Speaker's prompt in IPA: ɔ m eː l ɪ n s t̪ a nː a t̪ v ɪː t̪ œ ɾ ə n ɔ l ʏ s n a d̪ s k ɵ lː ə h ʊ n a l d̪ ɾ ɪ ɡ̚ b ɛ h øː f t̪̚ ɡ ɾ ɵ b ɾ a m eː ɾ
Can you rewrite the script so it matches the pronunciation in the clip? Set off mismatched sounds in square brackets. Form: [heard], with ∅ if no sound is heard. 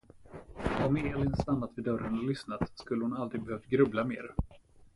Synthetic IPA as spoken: ɔ m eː l ɪ n s t̪ a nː a t̪ v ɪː [d̪] œ ɾ ə n ɔ l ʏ s n a [t̪] s k ɵ lː ə h ʊ n a l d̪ ɾ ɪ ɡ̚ b ɛ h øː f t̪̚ ɡ ɾ ɵ b [l] a m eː ɾ

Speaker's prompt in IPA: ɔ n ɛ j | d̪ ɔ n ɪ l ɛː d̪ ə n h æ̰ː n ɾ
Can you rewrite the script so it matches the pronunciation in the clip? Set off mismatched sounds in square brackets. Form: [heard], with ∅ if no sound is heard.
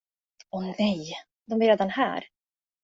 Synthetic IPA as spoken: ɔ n ɛ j | d̪ ɔ [m] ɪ [ɾ] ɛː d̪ [a] n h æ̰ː [∅] ɾ

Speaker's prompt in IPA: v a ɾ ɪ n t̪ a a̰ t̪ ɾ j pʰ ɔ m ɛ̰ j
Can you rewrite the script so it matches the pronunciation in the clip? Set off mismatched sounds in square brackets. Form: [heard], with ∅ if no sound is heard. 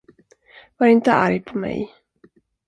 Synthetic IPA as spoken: v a ɾ ɪ n t̪ [ə] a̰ [∅] ɾ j pʰ ɔ m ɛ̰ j

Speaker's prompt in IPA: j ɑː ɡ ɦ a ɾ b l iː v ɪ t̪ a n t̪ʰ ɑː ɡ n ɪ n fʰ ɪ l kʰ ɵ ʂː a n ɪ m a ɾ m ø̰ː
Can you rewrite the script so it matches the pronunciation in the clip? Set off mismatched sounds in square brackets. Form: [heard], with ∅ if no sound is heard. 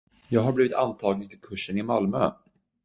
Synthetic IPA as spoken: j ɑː ɡ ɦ a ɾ b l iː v ɪ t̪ a n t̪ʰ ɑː ɡ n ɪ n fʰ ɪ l kʰ ɵ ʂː [ə] n ɪ m a [l] m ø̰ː

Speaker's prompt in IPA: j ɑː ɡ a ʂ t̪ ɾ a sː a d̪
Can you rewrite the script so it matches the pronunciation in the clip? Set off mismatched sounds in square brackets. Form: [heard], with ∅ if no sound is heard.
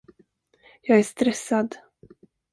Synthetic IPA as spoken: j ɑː ɡ [æ] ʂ t̪ ɾ [ɛ] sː a d̪

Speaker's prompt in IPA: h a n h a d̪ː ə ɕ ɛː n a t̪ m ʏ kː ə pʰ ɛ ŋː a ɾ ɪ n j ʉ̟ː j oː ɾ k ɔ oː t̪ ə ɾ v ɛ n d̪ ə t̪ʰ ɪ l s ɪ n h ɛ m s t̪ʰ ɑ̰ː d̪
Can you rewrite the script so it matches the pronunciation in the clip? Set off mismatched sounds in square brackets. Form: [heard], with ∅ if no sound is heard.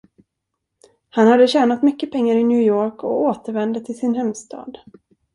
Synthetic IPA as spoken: h a n h a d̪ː ə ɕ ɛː n a t̪ m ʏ kː ə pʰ ɛ ŋː a ɾ ɪ n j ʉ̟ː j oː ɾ k ɔ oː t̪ ə ɾ v ɛ n d̪ ə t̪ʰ ɪ l s ɪ n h ɛ m s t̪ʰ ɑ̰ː d̪

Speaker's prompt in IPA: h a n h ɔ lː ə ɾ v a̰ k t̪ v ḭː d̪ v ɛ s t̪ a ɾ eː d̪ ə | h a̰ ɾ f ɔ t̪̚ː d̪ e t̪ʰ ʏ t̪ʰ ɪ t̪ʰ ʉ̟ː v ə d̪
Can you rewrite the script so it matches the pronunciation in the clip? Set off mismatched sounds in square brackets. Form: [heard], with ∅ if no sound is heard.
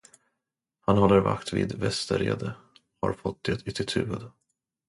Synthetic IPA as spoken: h a n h ɔ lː ə ɾ v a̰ k t̪ v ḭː d̪ v ɛ s t̪ [ə] ɾ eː d̪ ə | h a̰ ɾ f ɔ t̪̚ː d̪ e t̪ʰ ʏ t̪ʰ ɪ t̪ʰ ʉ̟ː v ə d̪

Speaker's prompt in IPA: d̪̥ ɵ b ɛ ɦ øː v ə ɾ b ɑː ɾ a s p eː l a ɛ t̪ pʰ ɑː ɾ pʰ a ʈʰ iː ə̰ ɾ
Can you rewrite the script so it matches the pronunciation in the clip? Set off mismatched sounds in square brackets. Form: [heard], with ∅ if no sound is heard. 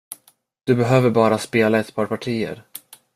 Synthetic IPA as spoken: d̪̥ ɵ b ɛ ɦ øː v ə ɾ b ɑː ɾ a s p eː l a ɛ t̪ pʰ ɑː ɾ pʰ a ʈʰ iː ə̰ ɾ

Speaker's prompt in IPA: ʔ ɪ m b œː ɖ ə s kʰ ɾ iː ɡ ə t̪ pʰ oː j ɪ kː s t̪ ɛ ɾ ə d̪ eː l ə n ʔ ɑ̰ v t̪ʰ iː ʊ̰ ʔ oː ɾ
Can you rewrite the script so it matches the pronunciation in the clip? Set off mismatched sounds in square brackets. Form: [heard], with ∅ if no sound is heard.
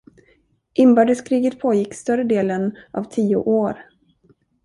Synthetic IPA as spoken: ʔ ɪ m b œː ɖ ə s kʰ ɾ iː ɡ ə t̪ pʰ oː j ɪ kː s t̪ [œ] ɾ ə d̪ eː l ə n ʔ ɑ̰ v t̪ʰ iː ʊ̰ ʔ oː ɾ

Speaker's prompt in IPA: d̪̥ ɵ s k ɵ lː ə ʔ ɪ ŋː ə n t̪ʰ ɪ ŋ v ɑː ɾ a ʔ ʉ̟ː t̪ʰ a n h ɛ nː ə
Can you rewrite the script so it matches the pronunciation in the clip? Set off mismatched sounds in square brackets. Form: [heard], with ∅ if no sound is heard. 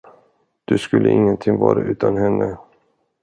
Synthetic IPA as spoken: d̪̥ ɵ s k ɵ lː ə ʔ ɪ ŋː ə n t̪ʰ ɪ ŋ v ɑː ɾ a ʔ ʉ̟ː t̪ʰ a n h ɛ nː ə

